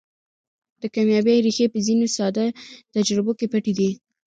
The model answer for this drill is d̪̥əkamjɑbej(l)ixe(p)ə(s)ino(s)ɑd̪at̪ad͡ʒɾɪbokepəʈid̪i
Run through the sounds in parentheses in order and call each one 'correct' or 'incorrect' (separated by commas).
incorrect, correct, incorrect, correct